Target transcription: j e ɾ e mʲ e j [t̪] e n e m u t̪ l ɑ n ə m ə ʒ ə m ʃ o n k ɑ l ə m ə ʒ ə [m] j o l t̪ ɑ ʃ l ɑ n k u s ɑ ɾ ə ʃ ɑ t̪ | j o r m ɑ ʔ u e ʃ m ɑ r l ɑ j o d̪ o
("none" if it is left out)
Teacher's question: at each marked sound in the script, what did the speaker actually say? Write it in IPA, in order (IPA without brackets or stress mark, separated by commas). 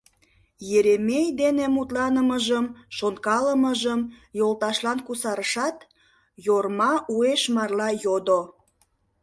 d̪, m